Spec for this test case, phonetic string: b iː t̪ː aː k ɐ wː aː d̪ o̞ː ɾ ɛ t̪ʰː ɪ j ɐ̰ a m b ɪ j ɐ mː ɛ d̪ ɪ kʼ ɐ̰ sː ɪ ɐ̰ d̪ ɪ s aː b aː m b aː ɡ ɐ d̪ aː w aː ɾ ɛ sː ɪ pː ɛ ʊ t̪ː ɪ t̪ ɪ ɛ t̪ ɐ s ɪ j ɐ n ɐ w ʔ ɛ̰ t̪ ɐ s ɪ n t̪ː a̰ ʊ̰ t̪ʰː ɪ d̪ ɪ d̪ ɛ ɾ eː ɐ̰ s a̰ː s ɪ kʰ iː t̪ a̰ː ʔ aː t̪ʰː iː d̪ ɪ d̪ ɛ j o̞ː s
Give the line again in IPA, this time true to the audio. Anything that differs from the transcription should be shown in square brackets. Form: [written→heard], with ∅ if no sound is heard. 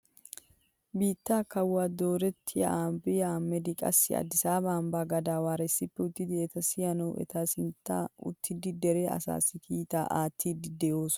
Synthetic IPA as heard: b iː t̪ː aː k ɐ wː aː d̪ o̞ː ɾ ɛ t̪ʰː ɪ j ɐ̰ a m b ɪ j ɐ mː ɛ d̪ ɪ kʼ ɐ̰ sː ɪ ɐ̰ d̪ ɪ s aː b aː m b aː ɡ ɐ d̪ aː w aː ɾ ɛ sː ɪ pː ɛ ʊ t̪ː ɪ [t̪→d̪] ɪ ɛ t̪ ɐ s ɪ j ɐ n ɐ w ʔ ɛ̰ t̪ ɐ s ɪ n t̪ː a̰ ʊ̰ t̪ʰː ɪ d̪ ɪ d̪ ɛ ɾ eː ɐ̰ s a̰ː s ɪ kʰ iː t̪ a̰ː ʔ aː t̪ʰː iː d̪ ɪ d̪ ɛ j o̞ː s